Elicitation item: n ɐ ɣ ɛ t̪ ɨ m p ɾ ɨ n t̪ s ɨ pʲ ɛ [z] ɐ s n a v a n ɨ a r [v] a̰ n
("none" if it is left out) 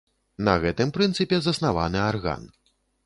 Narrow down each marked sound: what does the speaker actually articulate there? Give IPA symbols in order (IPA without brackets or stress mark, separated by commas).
z, ɣ